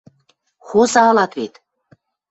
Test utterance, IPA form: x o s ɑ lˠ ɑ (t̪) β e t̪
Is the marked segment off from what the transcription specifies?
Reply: no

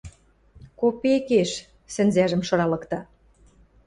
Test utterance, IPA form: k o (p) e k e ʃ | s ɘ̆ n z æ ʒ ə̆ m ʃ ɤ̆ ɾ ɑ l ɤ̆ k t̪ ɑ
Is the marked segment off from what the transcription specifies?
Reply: no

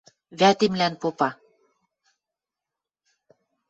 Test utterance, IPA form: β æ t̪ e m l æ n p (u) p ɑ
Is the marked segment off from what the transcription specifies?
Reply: yes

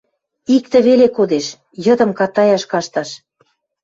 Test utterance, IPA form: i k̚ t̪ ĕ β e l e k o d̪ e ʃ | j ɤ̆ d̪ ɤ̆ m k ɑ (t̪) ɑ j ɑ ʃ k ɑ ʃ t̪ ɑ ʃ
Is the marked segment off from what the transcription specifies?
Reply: no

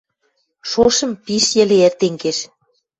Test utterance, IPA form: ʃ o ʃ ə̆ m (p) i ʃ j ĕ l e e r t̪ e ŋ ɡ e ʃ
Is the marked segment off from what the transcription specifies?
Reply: no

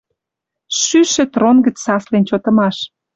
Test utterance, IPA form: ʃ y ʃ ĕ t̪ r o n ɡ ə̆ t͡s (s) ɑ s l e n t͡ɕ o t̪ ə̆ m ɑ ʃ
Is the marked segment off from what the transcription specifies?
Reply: no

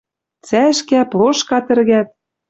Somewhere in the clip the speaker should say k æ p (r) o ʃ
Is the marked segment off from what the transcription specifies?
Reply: yes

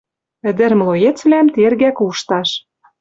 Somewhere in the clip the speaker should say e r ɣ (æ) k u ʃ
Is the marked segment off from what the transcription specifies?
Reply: no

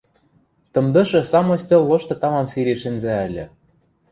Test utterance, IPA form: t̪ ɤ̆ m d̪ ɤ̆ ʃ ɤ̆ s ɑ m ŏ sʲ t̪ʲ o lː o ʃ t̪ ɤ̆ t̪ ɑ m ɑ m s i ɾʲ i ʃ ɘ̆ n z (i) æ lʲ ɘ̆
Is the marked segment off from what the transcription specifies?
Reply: yes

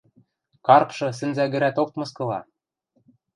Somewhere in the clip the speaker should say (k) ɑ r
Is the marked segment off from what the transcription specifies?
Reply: no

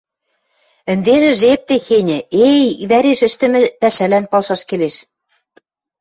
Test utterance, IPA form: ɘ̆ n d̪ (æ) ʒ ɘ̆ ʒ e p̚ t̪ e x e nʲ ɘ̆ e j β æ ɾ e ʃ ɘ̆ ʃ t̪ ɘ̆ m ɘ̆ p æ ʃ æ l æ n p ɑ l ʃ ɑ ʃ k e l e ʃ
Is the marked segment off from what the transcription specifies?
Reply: yes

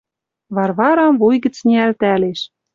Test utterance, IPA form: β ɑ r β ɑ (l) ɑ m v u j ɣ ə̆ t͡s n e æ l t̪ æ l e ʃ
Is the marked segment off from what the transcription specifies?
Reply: yes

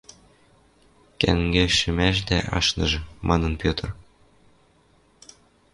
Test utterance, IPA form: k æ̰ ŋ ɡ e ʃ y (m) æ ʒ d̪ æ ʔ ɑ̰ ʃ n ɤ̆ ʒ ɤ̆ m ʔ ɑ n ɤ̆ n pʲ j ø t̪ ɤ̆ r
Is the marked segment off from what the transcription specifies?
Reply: no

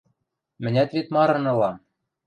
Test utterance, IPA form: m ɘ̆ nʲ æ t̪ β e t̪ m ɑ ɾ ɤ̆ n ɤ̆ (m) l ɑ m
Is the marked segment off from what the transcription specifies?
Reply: yes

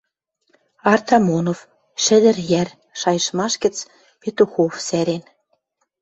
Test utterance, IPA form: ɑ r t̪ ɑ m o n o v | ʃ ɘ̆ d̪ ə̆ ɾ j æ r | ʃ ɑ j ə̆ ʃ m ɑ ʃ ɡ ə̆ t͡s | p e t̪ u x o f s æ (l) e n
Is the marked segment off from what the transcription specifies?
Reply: yes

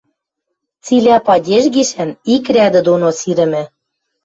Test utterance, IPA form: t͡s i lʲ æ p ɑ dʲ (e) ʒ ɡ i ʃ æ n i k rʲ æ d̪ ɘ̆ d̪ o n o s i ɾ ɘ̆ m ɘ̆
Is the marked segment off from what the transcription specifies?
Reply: no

